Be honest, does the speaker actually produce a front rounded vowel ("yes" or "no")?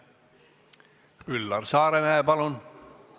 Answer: yes